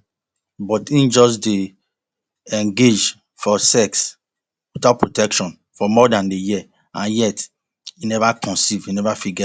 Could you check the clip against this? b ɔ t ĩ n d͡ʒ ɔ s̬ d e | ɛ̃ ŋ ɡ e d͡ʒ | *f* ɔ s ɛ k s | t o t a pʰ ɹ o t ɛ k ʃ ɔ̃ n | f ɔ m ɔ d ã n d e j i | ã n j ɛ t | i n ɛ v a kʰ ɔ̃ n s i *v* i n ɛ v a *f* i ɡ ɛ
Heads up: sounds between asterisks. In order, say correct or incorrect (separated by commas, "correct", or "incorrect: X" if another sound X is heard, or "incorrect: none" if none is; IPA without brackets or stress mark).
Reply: correct, correct, correct